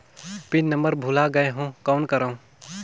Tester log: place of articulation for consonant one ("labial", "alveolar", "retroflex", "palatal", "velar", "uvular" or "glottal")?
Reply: labial